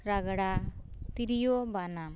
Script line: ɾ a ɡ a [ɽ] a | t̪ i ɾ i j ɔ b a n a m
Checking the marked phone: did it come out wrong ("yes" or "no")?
no